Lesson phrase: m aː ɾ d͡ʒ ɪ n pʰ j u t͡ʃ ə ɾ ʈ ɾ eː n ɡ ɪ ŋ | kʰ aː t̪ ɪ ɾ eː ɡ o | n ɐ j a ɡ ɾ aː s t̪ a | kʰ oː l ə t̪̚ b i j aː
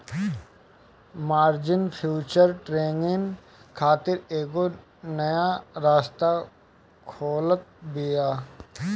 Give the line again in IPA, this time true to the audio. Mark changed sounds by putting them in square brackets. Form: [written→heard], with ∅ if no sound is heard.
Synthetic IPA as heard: m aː ɾ d͡ʒ ɪ n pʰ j [u→uː] t͡ʃ ə ɾ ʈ ɾ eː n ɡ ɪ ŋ | kʰ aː t̪ ɪ ɾ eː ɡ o | n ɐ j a [ɡ→∅] ɾ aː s t̪ a | kʰ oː l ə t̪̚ b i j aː